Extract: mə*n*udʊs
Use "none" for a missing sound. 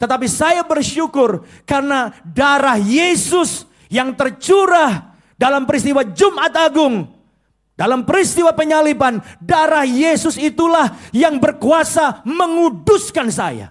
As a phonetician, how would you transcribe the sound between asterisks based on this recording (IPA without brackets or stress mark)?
ŋ